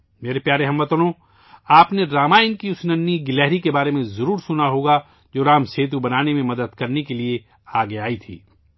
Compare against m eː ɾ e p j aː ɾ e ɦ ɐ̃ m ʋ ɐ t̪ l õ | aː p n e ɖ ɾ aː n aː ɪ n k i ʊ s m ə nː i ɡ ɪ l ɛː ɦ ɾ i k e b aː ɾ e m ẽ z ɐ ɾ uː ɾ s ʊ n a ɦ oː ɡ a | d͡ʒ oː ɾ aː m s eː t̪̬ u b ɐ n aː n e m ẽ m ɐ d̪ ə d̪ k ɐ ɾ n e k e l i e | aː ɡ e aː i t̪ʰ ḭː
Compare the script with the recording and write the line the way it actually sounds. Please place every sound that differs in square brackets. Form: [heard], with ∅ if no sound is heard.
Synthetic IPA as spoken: m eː ɾ e p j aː ɾ e ɦ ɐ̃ m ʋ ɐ t̪ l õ | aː p n e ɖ ɾ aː [m] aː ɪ n k i ʊ s [n] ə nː i ɡ ɪ l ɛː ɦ ɾ i k e b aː ɾ e m ẽ z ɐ ɾ uː ɾ s ʊ n a ɦ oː ɡ a | d͡ʒ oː ɾ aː m s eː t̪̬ u b ɐ n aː n e m ẽ m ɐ d̪ ə d̪ k ɐ ɾ n e k e l i e | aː ɡ e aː i t̪ʰ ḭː